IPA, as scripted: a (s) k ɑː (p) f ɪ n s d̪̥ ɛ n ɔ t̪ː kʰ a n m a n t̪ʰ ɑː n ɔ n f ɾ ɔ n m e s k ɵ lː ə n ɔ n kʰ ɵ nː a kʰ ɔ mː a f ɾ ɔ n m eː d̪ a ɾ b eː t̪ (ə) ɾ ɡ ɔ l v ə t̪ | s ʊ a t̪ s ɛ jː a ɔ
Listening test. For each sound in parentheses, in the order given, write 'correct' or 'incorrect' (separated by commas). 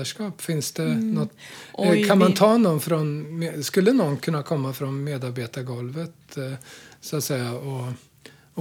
incorrect, correct, incorrect